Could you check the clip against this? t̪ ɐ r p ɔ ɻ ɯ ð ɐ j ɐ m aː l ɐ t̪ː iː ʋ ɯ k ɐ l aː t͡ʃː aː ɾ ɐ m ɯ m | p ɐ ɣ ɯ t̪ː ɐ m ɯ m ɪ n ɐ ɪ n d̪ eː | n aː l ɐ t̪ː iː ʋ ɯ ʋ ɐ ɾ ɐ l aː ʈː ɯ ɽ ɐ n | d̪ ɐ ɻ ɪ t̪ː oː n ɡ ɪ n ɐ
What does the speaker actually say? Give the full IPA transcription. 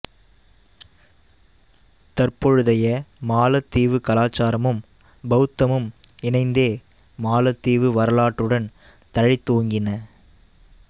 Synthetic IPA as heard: t̪ ɐ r p ɔ ɻ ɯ ð ɐ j ɐ m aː l ɐ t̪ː iː ʋ ɯ k ɐ l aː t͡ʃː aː ɾ ɐ m ɯ m | b ɐ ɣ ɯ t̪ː ɐ m ɯ m ɪ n ɐ ɪ n d̪ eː | m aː l ɐ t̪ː iː ʋ ɯ ʋ ɐ ɾ ɐ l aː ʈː ɯ ɽ ɐ n | t̪ ɐ ɻ ɪ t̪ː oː ŋ ɡ ɪ n ɐ